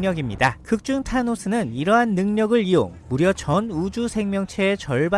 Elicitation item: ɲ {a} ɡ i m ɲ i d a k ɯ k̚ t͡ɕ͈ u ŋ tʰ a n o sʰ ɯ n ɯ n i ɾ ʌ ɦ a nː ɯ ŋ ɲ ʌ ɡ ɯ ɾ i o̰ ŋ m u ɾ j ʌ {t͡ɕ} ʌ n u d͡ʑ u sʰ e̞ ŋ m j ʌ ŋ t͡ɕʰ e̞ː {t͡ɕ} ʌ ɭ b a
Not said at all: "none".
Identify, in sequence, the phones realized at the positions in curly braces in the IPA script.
ʌ, t͡ɕ, t͡ɕ

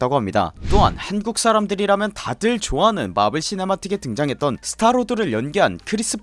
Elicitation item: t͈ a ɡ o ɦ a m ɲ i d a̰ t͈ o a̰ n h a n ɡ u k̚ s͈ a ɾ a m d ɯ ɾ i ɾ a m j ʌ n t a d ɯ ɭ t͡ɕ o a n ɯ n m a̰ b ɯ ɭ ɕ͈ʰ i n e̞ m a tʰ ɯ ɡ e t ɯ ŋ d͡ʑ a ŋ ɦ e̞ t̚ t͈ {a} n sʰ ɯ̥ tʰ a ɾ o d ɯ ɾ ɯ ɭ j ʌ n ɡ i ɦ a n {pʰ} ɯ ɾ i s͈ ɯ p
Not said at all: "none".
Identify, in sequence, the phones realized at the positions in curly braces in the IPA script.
ʌ, kʰ

